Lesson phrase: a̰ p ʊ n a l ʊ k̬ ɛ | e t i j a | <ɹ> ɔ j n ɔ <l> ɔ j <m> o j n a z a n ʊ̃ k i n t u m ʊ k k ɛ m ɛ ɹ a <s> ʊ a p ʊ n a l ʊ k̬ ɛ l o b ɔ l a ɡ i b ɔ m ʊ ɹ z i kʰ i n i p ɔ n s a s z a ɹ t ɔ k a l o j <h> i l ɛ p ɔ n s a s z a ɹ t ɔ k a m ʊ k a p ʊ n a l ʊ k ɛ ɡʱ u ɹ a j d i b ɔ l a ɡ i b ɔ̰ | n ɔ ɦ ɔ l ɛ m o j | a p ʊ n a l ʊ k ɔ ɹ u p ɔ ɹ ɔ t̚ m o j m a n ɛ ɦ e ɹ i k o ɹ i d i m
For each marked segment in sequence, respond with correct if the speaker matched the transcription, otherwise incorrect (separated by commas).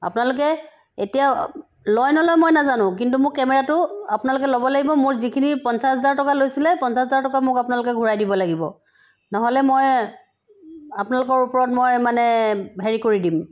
incorrect, correct, correct, incorrect, incorrect